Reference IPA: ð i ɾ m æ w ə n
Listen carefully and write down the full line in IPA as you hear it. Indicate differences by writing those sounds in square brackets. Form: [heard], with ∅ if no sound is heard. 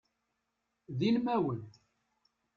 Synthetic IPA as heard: ð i [l] m æ w ə n